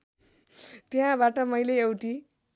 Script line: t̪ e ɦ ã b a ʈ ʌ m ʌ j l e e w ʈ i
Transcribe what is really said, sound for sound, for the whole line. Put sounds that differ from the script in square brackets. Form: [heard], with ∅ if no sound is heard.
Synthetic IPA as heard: t̪ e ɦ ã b a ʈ ʌ m ʌ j l e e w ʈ i